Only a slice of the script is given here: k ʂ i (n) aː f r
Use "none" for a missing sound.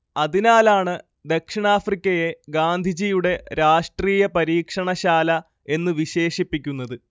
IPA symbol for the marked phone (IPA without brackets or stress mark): ɳ